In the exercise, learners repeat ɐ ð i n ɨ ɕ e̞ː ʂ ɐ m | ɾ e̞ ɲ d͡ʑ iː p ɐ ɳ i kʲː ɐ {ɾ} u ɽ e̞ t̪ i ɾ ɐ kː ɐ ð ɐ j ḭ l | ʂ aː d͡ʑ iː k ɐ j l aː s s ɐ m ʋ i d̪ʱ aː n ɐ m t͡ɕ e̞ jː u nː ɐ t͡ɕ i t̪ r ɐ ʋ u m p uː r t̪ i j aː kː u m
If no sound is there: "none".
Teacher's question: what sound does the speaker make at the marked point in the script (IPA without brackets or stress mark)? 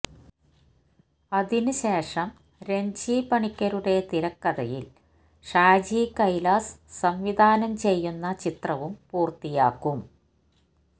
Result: ɾ